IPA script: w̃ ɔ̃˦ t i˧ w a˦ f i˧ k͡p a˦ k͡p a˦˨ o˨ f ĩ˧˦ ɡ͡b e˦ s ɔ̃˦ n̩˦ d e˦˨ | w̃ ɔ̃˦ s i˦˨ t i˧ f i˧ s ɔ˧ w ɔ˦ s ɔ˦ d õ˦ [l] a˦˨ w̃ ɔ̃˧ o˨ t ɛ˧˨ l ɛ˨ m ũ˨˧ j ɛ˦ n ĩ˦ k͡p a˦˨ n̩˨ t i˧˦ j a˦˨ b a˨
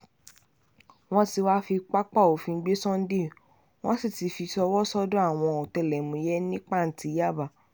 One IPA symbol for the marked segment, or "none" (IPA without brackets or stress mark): none